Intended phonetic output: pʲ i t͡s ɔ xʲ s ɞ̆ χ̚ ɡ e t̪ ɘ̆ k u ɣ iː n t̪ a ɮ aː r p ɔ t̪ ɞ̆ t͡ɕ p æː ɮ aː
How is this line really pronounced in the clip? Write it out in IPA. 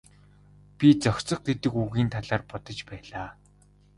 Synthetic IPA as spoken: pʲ i t͡s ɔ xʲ t͡s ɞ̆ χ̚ ɡ e t̪ ɘ̆ k u ɣ iː n t̪ʰ a ɮ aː r p ɔ t̪ ɞ̆ t͡ɕ p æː ɮ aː